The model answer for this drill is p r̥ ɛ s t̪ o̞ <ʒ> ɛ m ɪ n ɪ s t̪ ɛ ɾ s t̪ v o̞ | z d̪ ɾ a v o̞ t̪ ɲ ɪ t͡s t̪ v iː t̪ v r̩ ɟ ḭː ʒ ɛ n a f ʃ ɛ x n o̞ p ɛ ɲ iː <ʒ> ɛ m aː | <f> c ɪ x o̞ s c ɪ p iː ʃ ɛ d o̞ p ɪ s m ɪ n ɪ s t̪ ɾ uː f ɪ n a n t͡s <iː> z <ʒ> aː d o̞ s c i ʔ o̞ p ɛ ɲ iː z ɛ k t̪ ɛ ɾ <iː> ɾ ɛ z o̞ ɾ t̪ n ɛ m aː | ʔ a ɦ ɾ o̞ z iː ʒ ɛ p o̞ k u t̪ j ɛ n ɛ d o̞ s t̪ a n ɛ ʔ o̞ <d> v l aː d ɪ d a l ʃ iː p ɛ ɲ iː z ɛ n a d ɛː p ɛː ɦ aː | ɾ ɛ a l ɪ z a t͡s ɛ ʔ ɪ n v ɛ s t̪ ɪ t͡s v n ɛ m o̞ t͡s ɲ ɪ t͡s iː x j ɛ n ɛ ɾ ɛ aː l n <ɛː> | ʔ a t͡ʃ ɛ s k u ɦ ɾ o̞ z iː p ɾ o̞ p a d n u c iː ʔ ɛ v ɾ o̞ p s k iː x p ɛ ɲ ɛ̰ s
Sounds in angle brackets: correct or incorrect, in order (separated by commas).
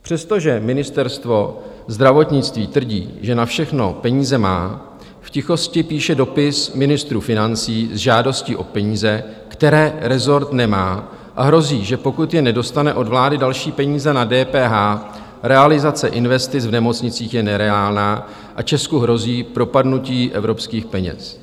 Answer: correct, incorrect, correct, correct, correct, incorrect, correct, incorrect